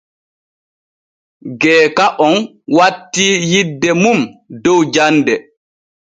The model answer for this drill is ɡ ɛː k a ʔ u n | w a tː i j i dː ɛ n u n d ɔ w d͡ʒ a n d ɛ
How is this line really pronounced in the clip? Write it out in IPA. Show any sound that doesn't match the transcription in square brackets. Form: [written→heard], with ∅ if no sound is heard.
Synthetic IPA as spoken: ɡ ɛː k a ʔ [u→ɔ] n | w a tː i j i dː ɛ [n→m] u [n→m] d ɔ w d͡ʒ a n d ɛ